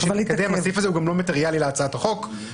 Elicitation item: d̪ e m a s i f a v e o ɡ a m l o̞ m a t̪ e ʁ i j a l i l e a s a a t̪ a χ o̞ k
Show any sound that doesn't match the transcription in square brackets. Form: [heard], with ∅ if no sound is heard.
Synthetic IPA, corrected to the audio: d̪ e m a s i f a [z] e [u] ɡ a m l o̞ m a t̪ e ʁ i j a l i l e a [t͡s] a a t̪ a χ o̞ k